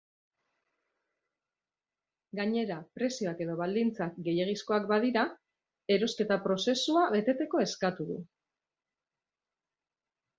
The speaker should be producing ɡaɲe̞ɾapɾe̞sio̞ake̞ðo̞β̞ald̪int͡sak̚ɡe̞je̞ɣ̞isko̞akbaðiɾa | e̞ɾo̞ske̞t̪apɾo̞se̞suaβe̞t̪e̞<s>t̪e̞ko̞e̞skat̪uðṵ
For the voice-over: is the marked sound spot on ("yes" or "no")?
no